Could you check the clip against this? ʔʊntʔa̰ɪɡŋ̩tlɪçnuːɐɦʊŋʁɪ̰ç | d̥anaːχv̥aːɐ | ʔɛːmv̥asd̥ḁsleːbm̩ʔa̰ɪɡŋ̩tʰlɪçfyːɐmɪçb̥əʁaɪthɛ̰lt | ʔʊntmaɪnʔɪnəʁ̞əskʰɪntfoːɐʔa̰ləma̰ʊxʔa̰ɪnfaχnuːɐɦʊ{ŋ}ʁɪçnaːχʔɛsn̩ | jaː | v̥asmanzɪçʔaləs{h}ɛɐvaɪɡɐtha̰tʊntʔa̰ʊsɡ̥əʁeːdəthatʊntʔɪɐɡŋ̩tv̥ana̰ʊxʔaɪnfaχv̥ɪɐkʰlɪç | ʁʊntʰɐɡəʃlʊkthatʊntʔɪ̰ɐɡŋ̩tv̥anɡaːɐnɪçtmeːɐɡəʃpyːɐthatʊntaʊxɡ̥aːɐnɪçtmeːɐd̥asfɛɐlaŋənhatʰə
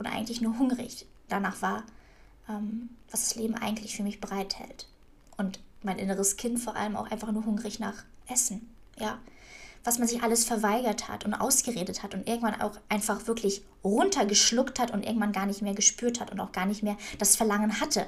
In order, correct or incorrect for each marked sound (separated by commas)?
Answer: correct, incorrect